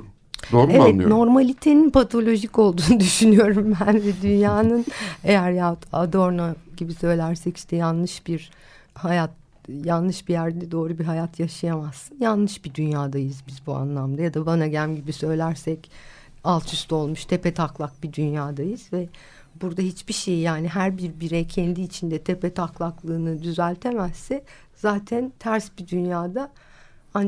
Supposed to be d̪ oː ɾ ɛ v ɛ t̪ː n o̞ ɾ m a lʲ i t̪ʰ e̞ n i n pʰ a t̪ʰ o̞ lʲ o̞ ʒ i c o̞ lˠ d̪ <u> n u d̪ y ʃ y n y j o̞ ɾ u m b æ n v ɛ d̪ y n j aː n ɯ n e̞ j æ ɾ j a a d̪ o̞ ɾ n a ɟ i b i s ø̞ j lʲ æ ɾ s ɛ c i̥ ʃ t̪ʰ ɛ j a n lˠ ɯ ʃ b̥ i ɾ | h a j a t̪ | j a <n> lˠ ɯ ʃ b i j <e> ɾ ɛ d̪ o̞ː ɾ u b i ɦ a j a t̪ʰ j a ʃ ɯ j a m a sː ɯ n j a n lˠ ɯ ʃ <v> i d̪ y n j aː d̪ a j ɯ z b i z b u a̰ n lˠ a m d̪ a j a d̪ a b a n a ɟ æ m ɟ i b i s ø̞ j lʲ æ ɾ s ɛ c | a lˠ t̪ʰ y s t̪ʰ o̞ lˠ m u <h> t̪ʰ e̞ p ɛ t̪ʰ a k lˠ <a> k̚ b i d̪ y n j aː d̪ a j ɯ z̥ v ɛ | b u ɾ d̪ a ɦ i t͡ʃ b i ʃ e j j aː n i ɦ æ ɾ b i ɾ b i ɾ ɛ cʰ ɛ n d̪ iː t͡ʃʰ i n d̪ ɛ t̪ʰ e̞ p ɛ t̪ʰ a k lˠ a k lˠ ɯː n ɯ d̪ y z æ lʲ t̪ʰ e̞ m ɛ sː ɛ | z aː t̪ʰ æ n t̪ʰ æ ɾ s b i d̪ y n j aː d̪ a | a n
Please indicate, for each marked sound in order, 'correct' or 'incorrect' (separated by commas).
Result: incorrect, correct, incorrect, incorrect, incorrect, correct